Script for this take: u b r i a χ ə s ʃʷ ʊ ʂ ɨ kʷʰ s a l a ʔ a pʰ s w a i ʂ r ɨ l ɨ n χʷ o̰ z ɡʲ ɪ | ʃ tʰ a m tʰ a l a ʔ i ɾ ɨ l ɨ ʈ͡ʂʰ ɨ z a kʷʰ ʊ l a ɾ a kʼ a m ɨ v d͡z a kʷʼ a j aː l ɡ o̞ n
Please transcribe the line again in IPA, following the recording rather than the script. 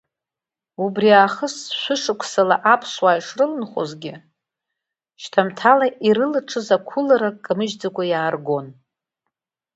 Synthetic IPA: u b r i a χ ə s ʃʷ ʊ ʂ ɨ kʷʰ s a l a ʔ a pʰ s w a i ʂ r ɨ l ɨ n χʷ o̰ z ɡʲ ɪ | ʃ tʰ a m tʰ a l a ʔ i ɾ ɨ l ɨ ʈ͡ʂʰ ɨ z a kʷʰ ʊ l a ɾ a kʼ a m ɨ ʒ d͡z a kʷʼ a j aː r ɡ o̞ n